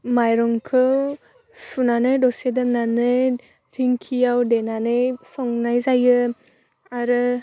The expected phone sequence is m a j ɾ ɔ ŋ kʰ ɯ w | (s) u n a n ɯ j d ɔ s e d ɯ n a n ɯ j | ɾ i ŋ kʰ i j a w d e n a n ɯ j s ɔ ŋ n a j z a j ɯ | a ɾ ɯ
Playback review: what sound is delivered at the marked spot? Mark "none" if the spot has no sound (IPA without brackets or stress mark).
s